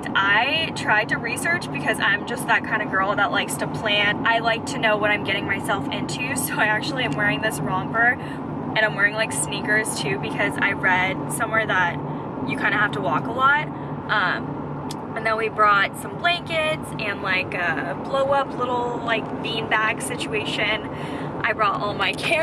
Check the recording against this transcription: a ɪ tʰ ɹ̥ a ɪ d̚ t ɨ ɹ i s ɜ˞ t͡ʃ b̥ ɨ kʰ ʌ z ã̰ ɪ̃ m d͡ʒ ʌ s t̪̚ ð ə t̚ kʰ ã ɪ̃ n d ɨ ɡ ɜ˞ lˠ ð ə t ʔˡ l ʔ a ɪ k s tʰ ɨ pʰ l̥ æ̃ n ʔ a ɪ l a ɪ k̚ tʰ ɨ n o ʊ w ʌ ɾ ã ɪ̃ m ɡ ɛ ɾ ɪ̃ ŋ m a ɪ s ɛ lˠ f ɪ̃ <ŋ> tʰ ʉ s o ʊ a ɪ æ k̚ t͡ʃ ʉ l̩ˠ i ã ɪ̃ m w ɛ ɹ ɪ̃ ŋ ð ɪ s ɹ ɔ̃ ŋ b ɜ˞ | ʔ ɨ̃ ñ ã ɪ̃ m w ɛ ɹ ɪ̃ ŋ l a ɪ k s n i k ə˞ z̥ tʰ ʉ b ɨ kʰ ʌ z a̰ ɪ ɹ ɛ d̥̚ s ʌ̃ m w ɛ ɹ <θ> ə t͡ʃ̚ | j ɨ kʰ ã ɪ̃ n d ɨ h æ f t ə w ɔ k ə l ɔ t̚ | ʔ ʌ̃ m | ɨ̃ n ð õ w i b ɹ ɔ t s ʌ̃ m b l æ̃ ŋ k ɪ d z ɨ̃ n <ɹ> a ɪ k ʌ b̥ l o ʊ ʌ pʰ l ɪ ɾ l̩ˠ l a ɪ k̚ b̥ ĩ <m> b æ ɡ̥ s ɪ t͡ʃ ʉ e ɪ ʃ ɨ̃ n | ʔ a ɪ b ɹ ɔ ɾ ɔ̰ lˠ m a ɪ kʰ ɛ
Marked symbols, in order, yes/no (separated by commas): no, no, no, no